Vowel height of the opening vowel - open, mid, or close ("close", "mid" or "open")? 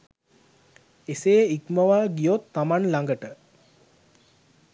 mid